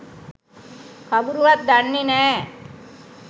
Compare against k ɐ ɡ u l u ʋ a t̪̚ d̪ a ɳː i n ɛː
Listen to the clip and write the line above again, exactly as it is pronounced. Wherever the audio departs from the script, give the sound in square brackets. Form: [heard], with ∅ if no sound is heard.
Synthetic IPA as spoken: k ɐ [b] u [ɾ] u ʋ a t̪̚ d̪ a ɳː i n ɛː